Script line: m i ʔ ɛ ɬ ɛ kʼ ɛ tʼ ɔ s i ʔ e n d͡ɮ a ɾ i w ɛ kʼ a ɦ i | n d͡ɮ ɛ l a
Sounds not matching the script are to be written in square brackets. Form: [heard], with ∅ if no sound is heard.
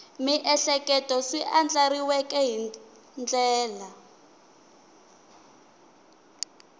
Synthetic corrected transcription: m i ʔ ɛ ɬ ɛ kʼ ɛ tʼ ɔ s i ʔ [a] n d͡ɮ a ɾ i w ɛ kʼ [ɛ] ɦ i | n d͡ɮ [ɛː] l a